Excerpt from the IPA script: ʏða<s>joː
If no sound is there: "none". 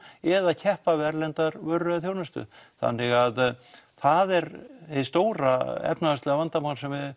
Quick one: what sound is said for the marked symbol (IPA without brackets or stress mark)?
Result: θ